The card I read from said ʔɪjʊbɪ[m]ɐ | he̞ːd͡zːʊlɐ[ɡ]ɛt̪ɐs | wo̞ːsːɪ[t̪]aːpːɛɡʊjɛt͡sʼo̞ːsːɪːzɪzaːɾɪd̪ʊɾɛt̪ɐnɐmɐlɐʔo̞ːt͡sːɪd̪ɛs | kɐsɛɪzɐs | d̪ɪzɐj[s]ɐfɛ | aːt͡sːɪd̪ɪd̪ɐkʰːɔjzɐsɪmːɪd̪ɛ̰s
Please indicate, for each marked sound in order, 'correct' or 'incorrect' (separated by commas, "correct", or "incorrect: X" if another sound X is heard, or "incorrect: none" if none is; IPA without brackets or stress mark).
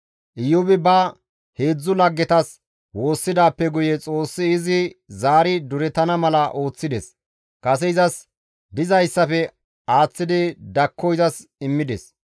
incorrect: b, incorrect: ɡː, incorrect: d̪, incorrect: sː